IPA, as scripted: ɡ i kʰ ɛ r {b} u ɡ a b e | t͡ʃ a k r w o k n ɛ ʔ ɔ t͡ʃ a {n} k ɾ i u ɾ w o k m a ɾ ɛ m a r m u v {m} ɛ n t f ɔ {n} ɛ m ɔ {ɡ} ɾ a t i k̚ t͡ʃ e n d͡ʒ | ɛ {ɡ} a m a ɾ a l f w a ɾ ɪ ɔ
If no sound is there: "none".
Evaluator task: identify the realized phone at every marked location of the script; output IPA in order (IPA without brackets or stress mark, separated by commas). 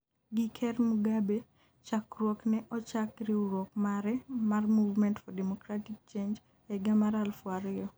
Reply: m, none, m, d, k, ɡ